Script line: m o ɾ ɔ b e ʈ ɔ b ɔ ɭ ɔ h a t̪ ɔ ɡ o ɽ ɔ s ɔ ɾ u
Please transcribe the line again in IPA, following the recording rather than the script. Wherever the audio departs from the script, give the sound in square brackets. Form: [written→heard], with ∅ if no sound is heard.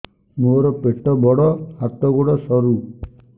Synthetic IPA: m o ɾ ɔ [b→p] e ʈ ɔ b ɔ [ɭ→ɽ] ɔ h a t̪ ɔ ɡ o ɽ ɔ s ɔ ɾ u